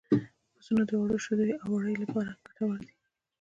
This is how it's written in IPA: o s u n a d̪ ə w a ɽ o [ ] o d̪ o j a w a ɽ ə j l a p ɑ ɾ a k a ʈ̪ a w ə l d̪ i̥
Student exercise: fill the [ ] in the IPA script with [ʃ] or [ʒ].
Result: ʃ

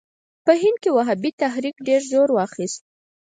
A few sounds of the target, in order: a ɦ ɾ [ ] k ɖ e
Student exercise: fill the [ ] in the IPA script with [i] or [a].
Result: i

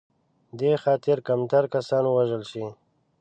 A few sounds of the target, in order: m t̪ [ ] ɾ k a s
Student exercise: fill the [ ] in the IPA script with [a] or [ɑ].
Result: a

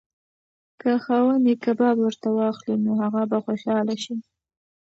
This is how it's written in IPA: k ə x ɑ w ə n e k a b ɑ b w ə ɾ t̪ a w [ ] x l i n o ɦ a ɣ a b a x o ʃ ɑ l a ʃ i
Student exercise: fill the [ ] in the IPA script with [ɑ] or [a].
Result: ɑ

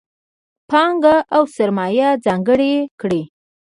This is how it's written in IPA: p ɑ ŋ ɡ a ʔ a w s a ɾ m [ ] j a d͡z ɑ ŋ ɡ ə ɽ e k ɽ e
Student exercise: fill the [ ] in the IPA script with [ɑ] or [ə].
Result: ɑ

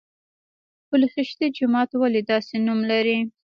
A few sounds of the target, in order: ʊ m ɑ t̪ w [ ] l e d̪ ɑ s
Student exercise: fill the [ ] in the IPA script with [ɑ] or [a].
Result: a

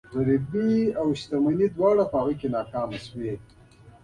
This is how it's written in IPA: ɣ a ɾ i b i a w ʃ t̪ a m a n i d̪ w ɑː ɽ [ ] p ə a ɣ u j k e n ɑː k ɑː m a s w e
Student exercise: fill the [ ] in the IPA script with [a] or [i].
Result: a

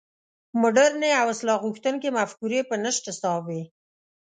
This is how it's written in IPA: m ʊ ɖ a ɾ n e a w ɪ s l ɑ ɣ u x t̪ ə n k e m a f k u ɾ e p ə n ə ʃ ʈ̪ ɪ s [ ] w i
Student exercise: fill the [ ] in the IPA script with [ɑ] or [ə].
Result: ɑ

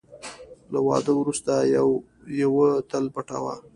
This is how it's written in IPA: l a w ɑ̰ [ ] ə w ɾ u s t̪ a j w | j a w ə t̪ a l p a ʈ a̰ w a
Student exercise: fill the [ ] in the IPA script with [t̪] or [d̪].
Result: d̪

